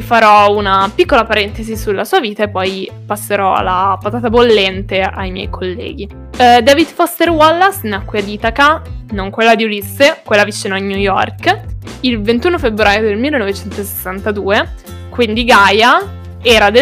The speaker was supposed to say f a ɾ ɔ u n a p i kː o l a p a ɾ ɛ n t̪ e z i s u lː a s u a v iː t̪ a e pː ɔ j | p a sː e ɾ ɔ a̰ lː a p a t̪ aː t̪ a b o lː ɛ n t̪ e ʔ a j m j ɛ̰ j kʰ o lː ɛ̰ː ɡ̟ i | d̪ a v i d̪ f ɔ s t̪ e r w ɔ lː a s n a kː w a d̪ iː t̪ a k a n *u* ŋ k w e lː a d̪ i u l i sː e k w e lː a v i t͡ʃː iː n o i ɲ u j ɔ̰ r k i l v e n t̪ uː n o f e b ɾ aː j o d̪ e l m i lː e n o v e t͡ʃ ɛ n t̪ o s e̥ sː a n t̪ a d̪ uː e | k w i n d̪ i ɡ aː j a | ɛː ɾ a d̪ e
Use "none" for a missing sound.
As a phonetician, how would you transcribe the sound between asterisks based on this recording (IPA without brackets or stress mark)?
o